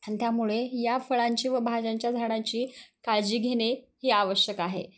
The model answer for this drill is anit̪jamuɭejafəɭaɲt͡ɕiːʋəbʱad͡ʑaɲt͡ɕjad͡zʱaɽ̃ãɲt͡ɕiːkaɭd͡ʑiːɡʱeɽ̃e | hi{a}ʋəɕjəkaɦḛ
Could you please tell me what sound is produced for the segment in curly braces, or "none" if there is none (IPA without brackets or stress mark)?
a